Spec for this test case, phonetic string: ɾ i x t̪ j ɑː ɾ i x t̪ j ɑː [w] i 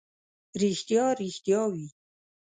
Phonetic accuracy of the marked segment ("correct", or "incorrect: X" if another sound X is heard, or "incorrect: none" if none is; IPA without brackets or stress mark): correct